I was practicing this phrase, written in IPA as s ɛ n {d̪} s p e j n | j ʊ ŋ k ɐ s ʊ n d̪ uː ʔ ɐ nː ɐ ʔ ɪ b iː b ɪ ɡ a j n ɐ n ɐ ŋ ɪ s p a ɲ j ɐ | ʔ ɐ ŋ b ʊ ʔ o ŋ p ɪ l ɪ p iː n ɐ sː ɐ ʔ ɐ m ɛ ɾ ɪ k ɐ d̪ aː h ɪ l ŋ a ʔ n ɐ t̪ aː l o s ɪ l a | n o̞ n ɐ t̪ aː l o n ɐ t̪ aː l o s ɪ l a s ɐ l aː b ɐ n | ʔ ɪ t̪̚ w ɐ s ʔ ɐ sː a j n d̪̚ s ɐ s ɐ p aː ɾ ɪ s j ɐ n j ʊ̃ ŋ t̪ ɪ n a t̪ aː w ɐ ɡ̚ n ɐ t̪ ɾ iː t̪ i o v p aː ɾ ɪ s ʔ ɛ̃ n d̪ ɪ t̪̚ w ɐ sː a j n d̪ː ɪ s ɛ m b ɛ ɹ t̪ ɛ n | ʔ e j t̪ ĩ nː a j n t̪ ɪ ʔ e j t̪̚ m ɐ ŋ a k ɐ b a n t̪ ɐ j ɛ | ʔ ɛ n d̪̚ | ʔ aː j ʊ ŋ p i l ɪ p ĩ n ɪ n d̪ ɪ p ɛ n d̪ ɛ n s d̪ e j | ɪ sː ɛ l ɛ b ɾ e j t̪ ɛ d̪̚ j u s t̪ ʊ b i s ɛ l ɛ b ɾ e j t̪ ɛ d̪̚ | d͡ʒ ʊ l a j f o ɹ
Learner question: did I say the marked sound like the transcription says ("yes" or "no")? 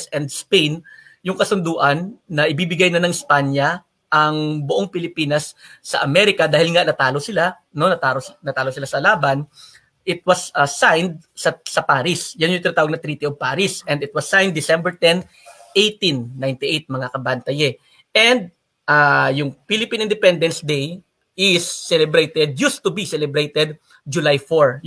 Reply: yes